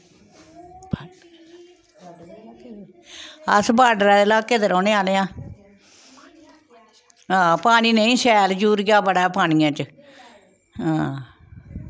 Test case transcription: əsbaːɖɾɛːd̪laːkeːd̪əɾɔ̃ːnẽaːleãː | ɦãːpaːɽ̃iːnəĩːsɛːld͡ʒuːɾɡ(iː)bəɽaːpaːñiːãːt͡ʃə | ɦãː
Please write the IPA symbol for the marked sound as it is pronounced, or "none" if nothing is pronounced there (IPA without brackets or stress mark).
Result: aː